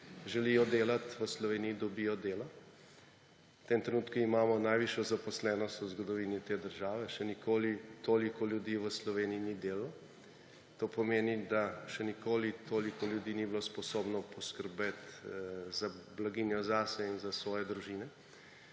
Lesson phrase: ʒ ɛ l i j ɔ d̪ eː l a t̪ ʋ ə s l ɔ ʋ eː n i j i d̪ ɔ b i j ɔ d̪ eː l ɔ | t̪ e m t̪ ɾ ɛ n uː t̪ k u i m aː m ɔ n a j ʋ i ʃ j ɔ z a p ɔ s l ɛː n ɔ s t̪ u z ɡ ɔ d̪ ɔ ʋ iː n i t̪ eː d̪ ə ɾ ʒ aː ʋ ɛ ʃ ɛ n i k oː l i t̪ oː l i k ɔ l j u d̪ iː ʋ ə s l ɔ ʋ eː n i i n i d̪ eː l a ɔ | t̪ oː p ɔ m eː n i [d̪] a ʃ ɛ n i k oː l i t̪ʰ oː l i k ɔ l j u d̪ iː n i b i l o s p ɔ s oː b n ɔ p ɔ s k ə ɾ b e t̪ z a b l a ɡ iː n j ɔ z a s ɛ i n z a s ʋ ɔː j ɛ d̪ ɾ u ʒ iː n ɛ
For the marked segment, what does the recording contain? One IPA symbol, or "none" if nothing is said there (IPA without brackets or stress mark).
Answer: d̪